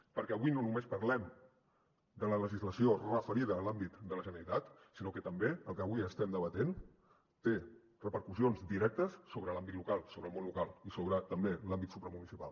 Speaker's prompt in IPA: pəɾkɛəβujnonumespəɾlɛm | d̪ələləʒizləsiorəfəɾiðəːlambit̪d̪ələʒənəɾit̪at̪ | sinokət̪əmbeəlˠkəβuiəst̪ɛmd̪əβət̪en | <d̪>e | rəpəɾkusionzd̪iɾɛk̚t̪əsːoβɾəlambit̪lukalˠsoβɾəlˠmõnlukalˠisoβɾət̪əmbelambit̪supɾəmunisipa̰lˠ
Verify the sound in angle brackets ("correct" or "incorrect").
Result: incorrect